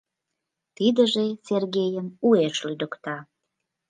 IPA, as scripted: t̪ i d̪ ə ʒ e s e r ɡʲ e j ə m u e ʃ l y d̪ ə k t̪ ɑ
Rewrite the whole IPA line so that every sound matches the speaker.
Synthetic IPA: t̪ i d̪ ə ʒ e s e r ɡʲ e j ə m u e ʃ l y d̪ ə k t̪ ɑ